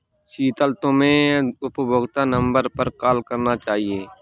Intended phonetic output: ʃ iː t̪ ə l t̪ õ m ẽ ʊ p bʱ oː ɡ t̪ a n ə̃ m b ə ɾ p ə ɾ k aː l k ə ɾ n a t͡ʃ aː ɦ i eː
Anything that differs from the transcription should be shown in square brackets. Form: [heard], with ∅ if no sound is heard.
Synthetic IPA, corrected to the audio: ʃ iː t̪ ə l t̪ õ m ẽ ʊ p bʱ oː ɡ t̪ a n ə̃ m b ə ɾ p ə ɾ k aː l k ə ɾ n a t͡ʃ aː ɦ i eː